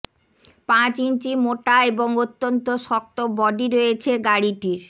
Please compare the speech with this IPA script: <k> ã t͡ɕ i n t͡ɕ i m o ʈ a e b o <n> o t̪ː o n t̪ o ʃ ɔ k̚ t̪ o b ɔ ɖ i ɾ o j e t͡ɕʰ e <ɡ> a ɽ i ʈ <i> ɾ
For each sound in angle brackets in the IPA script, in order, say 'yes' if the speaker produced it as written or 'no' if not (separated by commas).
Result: no, no, yes, yes